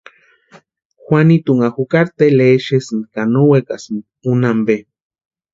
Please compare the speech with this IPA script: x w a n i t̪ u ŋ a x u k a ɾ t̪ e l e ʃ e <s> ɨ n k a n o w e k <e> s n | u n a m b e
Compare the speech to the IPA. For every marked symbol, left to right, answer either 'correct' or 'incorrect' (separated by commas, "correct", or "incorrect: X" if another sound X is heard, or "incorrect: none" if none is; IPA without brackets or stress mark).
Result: correct, incorrect: a